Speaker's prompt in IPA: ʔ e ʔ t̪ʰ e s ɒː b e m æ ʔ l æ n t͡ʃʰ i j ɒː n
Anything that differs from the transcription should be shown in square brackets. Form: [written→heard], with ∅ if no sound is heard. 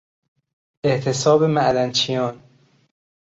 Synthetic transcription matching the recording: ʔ e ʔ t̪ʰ e s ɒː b e m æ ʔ l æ n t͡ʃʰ i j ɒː n

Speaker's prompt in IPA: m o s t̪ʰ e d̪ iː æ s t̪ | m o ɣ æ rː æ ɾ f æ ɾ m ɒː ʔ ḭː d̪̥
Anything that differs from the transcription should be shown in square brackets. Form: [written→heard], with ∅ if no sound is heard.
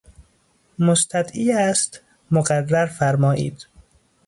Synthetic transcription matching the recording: m o s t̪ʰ [e→æ] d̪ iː æ s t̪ | m o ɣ æ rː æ ɾ f æ ɾ m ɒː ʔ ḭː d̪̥

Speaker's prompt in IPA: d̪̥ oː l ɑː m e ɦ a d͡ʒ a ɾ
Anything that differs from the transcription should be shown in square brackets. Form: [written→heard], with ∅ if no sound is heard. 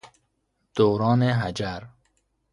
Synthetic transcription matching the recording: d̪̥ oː [l→ɾ] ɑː [m→n] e ɦ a d͡ʒ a ɾ

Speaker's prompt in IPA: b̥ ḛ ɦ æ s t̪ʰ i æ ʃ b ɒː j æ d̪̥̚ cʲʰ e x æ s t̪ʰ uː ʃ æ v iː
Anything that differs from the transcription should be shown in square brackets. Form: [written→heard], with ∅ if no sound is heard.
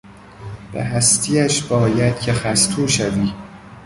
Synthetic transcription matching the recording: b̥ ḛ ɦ æ s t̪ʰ i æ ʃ b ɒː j æ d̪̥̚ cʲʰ e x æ s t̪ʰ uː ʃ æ v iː

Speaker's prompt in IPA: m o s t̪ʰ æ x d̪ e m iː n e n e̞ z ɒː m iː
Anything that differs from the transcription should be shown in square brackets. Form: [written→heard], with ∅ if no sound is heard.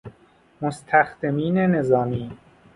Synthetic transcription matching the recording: m o s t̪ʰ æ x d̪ e m iː n e n e̞ z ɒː m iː

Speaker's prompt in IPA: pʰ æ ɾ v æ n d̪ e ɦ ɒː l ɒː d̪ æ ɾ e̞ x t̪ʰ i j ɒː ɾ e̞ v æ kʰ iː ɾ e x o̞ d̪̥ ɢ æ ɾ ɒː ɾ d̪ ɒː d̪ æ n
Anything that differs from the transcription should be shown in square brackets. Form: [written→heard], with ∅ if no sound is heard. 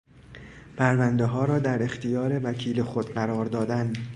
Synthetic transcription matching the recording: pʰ æ ɾ v æ n d̪ e ɦ ɒː [l→ɾ] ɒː d̪ æ ɾ e̞ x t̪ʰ i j ɒː ɾ e̞ v æ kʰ iː [ɾ→l] e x o̞ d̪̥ ɢ æ ɾ ɒː ɾ d̪ ɒː d̪ æ n

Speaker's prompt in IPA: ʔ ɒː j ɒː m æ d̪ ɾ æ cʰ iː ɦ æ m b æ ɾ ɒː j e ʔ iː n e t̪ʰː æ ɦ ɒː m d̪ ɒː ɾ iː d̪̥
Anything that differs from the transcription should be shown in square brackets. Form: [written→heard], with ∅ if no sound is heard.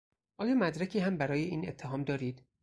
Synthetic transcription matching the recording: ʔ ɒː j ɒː m æ d̪ ɾ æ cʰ iː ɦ æ m b æ ɾ ɒː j e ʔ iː n e t̪ʰː [æ→e] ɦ ɒː m d̪ ɒː ɾ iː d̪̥

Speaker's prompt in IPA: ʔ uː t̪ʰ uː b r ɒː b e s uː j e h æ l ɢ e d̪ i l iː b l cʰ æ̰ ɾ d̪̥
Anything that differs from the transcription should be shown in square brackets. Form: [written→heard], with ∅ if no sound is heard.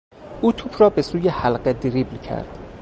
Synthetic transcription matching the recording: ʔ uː t̪ʰ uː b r ɒː b e s uː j e h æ l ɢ e d̪ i [l→ɾ] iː b l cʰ æ̰ ɾ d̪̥

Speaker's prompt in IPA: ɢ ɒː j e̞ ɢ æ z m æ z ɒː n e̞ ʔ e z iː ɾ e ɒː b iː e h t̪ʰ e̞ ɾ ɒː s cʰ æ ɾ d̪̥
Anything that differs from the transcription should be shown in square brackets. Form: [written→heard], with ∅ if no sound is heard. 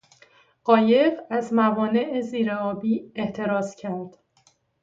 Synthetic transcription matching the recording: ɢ ɒː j e̞ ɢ æ z m æ [z→v] ɒː n e̞ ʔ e z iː ɾ e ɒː b iː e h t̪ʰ e̞ ɾ ɒː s cʰ æ ɾ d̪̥

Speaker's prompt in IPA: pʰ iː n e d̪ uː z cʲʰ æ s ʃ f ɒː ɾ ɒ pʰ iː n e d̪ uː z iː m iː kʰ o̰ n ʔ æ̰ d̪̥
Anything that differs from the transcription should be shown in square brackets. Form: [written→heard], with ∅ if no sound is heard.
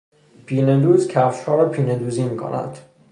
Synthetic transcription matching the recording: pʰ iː n e d̪ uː z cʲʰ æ [s→f] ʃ [f→h] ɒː ɾ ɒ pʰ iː n e d̪ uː z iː m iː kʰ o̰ n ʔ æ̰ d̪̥

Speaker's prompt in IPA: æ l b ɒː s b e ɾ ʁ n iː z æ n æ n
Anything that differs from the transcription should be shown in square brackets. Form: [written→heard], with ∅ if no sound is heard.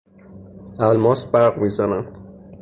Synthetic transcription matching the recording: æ l [b→m] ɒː s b [e→æ] ɾ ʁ [n→m] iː z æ n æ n

